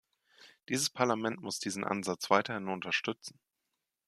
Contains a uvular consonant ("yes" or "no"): no